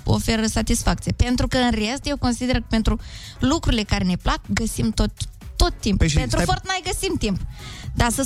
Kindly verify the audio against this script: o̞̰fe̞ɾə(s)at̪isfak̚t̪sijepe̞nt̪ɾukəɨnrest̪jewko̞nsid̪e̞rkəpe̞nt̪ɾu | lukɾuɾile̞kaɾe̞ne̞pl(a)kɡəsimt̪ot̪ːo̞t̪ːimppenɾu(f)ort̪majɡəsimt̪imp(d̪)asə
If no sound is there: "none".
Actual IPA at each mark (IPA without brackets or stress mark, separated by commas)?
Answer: s, a, f, d̪